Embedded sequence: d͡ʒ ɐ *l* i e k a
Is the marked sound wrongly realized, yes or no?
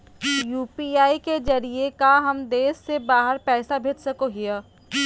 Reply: yes